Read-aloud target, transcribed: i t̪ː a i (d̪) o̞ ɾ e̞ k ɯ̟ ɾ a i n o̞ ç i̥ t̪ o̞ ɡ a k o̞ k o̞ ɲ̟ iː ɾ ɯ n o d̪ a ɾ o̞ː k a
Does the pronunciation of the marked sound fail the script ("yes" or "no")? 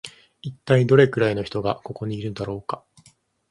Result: no